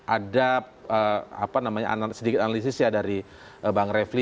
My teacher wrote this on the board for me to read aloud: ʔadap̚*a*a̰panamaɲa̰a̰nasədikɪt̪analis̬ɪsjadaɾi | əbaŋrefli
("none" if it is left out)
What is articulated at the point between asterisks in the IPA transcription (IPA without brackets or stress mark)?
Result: ə